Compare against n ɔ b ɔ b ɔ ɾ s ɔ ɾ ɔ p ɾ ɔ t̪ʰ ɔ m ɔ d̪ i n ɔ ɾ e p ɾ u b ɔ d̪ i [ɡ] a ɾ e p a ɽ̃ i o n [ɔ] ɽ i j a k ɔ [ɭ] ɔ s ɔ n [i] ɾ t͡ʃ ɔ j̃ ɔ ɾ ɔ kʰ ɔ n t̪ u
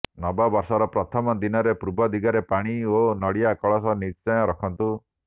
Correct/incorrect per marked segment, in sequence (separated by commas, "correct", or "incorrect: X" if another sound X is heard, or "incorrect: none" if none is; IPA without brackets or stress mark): correct, correct, correct, correct